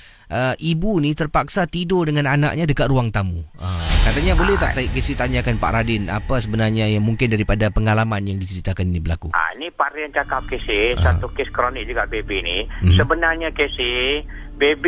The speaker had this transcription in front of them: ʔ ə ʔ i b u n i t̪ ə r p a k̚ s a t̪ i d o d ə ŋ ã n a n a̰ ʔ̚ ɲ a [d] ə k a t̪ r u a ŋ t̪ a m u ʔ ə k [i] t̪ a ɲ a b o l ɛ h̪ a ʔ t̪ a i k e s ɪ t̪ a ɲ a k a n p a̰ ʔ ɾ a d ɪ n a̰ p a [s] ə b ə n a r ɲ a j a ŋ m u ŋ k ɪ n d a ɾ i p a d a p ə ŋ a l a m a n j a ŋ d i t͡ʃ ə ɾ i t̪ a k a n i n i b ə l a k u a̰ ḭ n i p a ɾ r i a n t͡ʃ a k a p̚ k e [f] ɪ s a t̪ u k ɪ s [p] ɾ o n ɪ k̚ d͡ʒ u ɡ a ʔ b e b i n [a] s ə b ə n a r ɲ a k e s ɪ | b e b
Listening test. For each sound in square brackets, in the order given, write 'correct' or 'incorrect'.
correct, incorrect, correct, incorrect, incorrect, incorrect

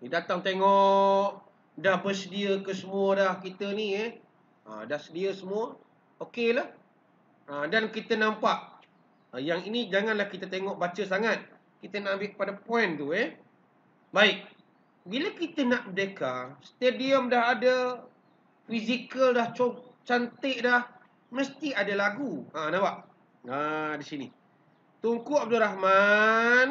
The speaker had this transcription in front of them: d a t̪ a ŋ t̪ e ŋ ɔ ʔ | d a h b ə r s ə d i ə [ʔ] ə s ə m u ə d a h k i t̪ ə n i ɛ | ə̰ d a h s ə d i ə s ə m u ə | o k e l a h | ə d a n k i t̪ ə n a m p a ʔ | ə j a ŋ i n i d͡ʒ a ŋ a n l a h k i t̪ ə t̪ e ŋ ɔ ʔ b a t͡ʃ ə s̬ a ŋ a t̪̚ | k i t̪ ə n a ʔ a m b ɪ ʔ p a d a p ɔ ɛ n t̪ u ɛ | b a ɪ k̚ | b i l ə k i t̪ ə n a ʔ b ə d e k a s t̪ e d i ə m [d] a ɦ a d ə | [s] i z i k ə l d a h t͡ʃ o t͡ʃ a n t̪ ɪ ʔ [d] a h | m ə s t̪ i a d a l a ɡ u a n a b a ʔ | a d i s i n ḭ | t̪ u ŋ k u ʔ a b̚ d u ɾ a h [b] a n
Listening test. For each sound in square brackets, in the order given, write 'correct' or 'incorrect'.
incorrect, correct, incorrect, correct, incorrect

